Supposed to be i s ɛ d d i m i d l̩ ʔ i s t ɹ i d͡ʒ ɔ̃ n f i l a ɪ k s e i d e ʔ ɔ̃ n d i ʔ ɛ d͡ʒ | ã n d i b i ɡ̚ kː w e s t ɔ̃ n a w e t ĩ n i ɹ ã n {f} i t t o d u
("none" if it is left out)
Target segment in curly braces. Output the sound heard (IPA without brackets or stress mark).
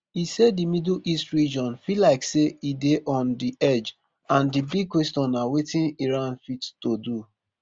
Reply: f